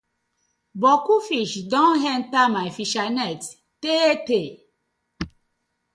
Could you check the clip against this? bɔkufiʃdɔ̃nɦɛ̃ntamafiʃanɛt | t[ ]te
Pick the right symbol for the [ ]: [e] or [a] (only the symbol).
e